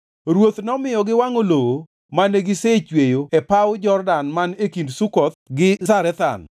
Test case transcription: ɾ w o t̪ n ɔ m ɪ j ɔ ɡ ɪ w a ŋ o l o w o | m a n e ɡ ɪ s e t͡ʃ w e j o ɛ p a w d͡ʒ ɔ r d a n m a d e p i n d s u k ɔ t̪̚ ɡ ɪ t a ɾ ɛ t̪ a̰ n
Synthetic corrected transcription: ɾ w o t̪ n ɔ m ɪ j ɔ ɡ ɪ w a ŋ o l o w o | m a n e ɡ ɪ s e t͡ʃ w e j o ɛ p a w d͡ʒ ɔ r d a n m a n e k i n d s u k ɔ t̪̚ ɡ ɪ s a ɾ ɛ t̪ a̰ n